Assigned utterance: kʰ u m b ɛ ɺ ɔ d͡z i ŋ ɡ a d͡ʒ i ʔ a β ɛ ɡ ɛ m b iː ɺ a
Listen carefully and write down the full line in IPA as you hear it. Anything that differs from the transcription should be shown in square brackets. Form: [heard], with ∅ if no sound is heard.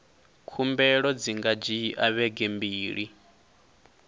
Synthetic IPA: kʰ u m b ɛ ɺ ɔ d͡z i ŋ ɡ a d͡ʒ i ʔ a β ɛ ɡ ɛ m b iː ɺ [i]